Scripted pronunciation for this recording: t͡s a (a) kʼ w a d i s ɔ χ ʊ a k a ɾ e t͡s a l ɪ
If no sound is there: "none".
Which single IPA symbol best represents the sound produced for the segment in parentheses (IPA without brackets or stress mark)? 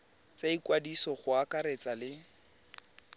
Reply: i